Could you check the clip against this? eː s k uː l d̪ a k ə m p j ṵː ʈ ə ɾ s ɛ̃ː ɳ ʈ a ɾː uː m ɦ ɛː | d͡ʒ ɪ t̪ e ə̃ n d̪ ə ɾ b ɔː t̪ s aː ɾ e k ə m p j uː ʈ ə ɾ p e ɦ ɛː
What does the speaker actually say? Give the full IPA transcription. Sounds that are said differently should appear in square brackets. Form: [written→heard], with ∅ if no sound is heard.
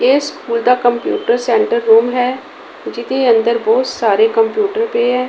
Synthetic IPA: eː s k uː l d̪ a k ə m p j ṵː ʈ ə ɾ s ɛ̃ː ɳ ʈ [a→ə] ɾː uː m ɦ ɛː | d͡ʒ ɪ t̪ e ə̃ n d̪ ə ɾ b ɔː t̪ s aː ɾ e k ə m p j uː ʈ ə ɾ p e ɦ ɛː